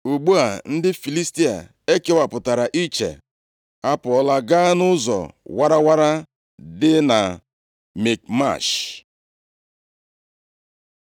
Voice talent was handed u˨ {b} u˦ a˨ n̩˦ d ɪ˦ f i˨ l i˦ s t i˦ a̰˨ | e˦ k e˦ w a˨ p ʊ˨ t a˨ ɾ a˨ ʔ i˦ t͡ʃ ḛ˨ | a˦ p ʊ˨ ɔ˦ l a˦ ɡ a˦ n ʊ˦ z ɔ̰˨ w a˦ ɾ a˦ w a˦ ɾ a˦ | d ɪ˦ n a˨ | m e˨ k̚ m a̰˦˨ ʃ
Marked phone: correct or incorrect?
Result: incorrect